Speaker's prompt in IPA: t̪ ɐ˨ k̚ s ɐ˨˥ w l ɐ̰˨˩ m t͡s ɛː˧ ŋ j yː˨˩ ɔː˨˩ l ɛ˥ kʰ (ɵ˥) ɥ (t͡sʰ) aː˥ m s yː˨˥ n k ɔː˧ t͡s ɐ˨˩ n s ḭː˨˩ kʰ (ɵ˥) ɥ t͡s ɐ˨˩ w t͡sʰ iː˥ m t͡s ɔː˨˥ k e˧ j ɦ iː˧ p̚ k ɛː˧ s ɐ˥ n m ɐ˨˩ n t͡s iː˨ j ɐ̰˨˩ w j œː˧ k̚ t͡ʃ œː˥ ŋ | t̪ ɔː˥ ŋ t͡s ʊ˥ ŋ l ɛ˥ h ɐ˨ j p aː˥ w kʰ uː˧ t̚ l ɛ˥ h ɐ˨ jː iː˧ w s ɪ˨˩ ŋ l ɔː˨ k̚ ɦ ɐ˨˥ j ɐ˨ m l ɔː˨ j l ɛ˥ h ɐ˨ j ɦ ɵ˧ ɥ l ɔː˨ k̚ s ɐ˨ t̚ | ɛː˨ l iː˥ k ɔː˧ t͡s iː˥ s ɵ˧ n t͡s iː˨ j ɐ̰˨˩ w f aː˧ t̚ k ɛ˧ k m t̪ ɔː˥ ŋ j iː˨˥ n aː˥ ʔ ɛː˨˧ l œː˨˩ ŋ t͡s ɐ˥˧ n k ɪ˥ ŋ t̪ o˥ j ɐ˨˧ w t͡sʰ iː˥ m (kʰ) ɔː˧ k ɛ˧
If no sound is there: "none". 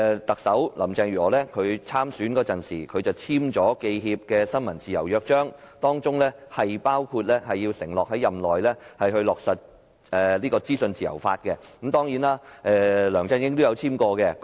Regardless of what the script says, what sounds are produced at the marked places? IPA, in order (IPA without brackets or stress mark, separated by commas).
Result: ɵ˨˧, t͡sʰ, ɵ˨˧, k